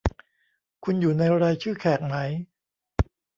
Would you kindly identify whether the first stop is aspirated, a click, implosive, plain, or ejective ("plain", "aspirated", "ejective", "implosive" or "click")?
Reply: aspirated